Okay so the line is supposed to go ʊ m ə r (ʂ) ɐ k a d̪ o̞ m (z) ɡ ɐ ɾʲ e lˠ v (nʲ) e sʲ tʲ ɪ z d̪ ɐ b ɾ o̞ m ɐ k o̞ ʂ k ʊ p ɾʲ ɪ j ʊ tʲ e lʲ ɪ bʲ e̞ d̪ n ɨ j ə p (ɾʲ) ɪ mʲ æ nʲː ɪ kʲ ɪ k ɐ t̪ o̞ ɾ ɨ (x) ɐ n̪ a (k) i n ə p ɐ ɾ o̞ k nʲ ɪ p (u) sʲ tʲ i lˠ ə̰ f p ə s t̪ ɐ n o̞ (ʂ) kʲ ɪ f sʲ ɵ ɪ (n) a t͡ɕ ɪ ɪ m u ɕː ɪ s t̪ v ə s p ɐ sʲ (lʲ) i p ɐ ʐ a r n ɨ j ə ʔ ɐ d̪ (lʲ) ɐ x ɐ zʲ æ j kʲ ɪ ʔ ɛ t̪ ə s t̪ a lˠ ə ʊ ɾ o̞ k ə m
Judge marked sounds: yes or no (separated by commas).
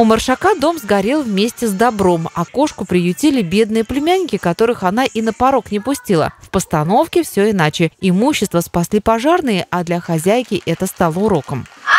yes, yes, no, no, yes, no, no, no, yes, yes, yes